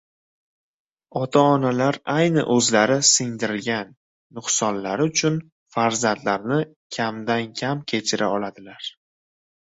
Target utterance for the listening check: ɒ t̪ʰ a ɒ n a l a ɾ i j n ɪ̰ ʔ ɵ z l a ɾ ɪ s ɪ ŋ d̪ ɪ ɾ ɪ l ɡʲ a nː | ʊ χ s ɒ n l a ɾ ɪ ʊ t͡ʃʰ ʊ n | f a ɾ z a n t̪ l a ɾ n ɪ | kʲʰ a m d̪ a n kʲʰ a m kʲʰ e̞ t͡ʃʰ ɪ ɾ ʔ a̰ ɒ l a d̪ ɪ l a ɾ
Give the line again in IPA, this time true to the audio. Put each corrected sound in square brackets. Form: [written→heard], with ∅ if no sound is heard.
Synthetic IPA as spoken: ɒ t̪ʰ a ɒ n a l a ɾ [i→a] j n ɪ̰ ʔ ɵ z l a ɾ ɪ s ɪ ŋ d̪ ɪ ɾ ɪ l ɡʲ a nː | ʊ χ s ɒ n l a ɾ ɪ ʊ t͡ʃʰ ʊ n | f a ɾ z a n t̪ l a ɾ n ɪ | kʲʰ a m d̪ a n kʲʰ a m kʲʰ e̞ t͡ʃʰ ɪ ɾ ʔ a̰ ɒ l a d̪ ɪ l a ɾ

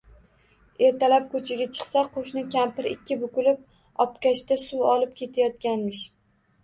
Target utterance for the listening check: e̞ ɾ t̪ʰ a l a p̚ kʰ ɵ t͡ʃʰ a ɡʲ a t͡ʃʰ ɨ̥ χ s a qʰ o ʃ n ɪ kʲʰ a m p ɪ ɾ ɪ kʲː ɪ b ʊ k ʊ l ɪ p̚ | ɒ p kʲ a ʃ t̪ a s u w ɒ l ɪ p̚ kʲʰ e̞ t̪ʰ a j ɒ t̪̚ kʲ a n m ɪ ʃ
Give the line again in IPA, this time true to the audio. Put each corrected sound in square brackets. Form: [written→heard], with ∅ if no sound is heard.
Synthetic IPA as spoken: e̞ ɾ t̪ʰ a l a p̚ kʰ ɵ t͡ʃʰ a ɡʲ a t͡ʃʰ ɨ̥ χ s a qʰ o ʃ n ɪ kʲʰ a m p ɪ ɾ ɪ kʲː ɪ b ʊ k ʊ l ɪ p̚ | ɒ p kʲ a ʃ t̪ a s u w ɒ l ɪ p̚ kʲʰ e̞ t̪ʰ a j ɒ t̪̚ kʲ a n m ɪ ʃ

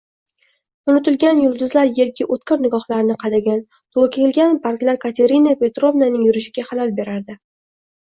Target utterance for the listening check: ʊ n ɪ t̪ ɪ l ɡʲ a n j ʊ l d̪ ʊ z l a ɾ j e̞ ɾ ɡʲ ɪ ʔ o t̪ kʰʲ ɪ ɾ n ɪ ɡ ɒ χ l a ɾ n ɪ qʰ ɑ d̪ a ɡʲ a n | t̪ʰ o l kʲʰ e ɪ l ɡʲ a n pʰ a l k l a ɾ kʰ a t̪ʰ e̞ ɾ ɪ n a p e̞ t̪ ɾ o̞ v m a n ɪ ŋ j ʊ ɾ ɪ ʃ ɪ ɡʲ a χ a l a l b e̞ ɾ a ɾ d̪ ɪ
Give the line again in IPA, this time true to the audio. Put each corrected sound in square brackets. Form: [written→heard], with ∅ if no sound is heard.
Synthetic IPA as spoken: ʊ n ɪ t̪ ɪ l ɡʲ a n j ʊ l d̪ ʊ z l a ɾ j e̞ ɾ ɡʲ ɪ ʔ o t̪ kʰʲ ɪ ɾ n ɪ ɡ ɒ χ l a ɾ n ɪ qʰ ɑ d̪ a ɡʲ a n | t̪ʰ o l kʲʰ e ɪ l ɡʲ a n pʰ a [l→ɾ] k l a ɾ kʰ a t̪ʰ e̞ ɾ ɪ n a p e̞ t̪ ɾ o̞ v [m→n] a n ɪ ŋ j ʊ ɾ ɪ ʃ ɪ ɡʲ a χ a l a l b e̞ ɾ a ɾ d̪ ɪ

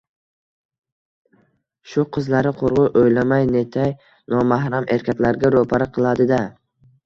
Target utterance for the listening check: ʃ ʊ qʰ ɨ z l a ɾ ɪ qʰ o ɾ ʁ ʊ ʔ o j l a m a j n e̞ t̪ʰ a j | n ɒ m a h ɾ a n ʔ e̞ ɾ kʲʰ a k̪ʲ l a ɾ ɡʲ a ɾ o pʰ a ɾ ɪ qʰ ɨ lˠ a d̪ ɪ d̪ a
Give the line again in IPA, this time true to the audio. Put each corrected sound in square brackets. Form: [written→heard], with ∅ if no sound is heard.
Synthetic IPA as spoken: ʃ ʊ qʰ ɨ z l a ɾ ɪ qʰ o ɾ ʁ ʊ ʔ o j l a m a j n e̞ t̪ʰ a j | n ɒ m a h ɾ a [n→m] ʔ e̞ ɾ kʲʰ a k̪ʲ l a ɾ ɡʲ a ɾ o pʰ a ɾ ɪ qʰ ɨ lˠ a d̪ ɪ d̪ a

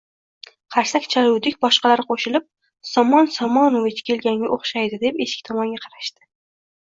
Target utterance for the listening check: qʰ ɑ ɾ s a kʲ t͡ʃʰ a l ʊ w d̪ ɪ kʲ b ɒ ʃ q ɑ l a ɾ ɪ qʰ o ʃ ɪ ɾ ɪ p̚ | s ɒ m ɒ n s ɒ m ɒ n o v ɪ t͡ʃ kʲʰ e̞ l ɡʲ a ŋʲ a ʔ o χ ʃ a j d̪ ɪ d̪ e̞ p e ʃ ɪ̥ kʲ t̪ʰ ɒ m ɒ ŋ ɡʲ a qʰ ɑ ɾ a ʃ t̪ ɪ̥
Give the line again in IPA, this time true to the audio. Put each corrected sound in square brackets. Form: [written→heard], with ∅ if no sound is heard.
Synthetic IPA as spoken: qʰ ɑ ɾ s a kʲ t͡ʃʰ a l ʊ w d̪ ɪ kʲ b ɒ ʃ q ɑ l a ɾ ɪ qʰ o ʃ ɪ [ɾ→l] ɪ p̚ | s ɒ m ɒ n s ɒ m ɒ n o v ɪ t͡ʃ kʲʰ e̞ l ɡʲ a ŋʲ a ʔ o χ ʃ a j d̪ ɪ d̪ e̞ p e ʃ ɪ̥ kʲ t̪ʰ ɒ m ɒ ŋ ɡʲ a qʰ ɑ ɾ a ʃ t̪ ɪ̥

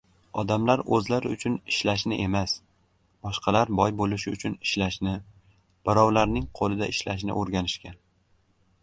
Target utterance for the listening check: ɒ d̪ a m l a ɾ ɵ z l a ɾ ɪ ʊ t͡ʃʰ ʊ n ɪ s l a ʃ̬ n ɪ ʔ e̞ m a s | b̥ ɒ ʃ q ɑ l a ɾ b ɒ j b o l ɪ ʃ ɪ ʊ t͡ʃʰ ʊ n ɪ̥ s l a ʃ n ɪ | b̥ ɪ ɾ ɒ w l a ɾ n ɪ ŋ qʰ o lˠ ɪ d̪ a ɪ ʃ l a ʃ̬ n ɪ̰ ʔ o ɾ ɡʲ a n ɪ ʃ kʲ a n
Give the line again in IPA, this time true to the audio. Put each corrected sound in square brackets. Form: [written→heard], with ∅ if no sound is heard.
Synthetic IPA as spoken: ɒ d̪ a m l a ɾ ɵ z l a ɾ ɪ ʊ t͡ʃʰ ʊ n ɪ [s→ʃ] l a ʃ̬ n ɪ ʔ e̞ m a s | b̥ ɒ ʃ q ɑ l a ɾ b ɒ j b o l ɪ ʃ ɪ ʊ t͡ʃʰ ʊ n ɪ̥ [s→ʃ] l a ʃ n ɪ | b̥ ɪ ɾ ɒ w l a ɾ n ɪ ŋ qʰ o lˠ ɪ d̪ a ɪ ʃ l a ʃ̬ n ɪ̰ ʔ o ɾ ɡʲ a n ɪ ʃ kʲ a n

